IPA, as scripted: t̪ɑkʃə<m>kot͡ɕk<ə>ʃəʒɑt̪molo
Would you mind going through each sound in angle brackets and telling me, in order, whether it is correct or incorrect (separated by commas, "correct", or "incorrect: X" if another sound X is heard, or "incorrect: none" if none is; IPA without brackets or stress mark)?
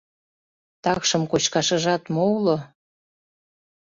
correct, incorrect: ɑ